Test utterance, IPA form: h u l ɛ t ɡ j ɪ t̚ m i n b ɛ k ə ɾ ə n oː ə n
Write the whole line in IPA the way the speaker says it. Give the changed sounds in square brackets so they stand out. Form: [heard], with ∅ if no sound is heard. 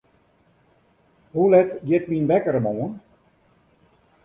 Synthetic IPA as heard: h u l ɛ t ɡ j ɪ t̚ m i n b ɛ k ə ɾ ə [m] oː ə n